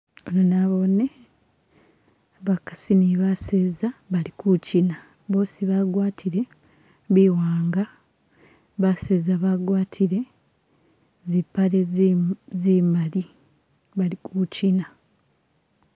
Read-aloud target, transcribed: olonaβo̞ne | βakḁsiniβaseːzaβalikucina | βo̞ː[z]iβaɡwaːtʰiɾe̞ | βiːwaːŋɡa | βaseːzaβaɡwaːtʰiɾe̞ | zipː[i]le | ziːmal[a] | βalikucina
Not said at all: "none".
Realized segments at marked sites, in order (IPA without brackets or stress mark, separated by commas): s, a, i